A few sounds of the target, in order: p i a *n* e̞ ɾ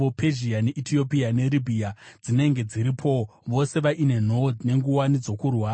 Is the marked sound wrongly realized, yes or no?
no